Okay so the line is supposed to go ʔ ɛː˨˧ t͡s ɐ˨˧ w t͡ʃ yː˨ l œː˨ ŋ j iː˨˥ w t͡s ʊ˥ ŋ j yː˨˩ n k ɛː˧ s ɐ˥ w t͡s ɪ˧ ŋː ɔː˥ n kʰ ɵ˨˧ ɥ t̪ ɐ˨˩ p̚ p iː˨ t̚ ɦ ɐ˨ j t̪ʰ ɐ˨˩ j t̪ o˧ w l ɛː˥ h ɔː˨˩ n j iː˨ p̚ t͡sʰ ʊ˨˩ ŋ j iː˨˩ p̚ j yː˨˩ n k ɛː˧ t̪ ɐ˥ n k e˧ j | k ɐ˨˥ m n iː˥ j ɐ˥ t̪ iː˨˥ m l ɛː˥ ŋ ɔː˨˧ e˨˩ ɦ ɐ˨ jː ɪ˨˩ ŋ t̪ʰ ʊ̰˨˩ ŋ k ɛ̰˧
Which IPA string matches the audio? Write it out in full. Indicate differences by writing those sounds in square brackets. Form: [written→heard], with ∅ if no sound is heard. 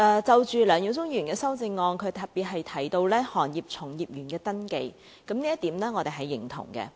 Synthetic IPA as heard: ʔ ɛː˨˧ t͡s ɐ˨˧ w t͡ʃ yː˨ l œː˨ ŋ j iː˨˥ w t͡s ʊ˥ ŋ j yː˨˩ n k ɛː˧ s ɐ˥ w t͡s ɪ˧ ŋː [ɔː˥→ɔː˧] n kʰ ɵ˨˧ ɥ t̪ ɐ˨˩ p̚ p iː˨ t̚ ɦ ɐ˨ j t̪ʰ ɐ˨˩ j t̪ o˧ w l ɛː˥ h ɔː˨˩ n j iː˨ p̚ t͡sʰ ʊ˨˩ ŋ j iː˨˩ p̚ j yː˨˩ n k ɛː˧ t̪ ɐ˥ n k e˧ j | k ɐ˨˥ m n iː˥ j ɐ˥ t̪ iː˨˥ m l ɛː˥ ŋ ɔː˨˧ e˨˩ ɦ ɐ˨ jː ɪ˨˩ ŋ t̪ʰ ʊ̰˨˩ ŋ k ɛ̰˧